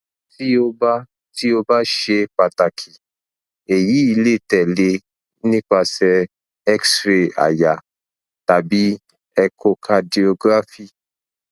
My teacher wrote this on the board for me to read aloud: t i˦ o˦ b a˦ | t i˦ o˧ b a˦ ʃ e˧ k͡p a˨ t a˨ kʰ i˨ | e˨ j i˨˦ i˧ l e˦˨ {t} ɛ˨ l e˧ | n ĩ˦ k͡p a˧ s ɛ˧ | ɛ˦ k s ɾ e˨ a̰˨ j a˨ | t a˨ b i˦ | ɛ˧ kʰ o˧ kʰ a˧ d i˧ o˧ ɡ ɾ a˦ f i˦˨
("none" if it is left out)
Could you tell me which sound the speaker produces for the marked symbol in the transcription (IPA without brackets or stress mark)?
t